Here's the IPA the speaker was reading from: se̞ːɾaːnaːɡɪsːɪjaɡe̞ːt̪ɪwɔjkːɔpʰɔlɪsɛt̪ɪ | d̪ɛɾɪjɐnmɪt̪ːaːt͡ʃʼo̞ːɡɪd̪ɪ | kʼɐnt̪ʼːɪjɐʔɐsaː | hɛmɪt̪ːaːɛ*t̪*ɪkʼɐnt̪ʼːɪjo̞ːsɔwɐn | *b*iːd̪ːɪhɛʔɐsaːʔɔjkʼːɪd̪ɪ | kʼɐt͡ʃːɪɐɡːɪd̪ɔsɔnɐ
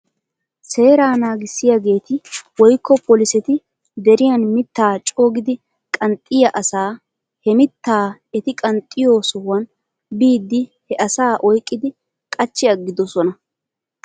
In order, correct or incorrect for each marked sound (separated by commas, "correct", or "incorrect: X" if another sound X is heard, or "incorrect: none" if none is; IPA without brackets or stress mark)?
correct, correct